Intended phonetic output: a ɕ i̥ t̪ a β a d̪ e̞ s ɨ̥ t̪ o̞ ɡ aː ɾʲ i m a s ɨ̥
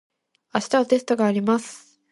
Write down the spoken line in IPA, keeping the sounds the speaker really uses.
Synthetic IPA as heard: a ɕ i̥ t̪ a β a t̪ e̞ s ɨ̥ t̪ o̞ ɡ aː ɾʲ i m a s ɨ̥